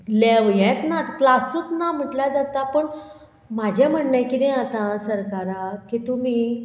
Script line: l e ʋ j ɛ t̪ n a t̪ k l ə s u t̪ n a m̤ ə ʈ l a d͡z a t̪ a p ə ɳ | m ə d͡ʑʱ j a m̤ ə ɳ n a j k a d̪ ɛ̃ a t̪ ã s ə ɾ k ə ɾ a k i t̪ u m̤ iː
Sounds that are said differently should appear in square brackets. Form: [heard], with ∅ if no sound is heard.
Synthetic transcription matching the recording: l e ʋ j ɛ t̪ n a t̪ k l [a] s u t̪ n a m̤ ə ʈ l a d͡z a t̪ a p ə ɳ | m [a] d͡ʑʱ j a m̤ ə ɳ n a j k [i] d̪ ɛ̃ a t̪ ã s ə ɾ k [a] ɾ a k i t̪ u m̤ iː